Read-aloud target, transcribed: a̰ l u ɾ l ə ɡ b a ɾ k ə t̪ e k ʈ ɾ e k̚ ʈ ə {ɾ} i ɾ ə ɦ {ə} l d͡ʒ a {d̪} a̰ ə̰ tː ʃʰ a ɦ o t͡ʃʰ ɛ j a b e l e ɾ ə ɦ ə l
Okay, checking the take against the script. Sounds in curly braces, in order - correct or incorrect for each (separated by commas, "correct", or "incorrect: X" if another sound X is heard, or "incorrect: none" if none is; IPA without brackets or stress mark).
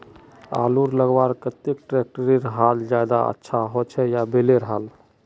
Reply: correct, incorrect: a, correct